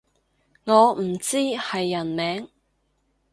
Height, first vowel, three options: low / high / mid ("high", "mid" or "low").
mid